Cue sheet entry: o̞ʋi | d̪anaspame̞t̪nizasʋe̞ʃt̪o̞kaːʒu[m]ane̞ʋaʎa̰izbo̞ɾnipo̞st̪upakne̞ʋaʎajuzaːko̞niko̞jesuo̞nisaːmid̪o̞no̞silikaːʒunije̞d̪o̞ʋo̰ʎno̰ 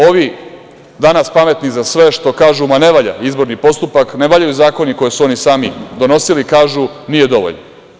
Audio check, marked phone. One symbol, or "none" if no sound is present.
m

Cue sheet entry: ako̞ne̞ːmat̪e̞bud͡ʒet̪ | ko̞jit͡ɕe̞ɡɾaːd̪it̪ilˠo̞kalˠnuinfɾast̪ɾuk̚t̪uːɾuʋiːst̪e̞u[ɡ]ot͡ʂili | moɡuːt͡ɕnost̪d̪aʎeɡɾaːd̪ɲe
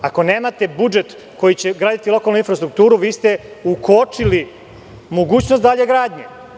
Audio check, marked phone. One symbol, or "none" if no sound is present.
k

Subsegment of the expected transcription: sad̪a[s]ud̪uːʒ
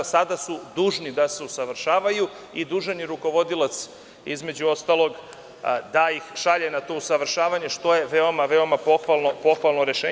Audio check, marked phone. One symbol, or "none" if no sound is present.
s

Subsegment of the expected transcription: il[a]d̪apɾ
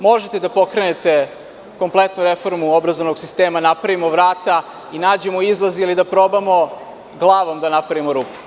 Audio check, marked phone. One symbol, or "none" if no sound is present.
i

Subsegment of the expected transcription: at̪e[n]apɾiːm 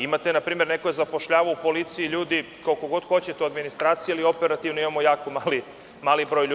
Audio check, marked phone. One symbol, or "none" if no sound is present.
n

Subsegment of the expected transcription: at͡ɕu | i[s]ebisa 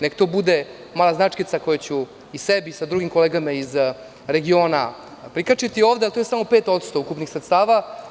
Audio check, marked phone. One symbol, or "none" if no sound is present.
s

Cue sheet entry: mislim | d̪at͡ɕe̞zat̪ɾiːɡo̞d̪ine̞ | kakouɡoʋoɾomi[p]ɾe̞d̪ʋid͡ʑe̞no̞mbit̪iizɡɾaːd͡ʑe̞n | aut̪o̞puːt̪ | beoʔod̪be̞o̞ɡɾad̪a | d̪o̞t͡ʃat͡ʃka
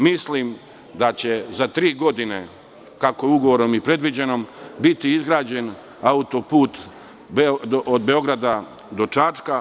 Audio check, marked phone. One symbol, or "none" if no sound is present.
p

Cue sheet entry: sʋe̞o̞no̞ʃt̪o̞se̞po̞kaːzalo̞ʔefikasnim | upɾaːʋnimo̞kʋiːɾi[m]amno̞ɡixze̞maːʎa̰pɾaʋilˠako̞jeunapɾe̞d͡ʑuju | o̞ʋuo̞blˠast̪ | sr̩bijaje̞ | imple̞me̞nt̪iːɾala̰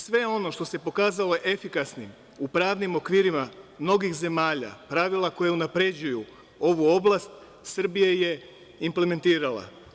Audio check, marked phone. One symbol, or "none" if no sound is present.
m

